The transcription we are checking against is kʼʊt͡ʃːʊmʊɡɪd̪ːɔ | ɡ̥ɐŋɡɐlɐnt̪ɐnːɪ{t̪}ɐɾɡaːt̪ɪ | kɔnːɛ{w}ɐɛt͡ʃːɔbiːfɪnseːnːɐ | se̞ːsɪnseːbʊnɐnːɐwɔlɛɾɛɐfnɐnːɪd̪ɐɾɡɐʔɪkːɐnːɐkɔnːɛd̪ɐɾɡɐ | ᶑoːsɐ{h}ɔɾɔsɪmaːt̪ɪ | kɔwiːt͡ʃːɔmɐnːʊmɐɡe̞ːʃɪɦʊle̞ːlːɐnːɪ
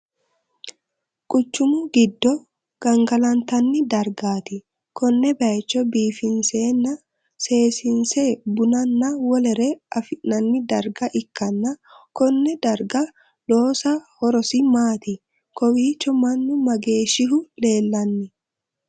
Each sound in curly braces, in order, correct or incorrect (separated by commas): incorrect, incorrect, correct